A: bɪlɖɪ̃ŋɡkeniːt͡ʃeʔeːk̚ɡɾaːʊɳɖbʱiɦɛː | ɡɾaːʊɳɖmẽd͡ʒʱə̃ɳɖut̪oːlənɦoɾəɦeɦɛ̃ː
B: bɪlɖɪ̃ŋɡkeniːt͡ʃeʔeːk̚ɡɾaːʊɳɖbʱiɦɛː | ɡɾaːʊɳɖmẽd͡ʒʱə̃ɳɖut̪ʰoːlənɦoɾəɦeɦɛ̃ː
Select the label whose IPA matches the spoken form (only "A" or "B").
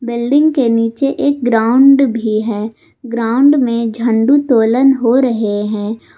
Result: A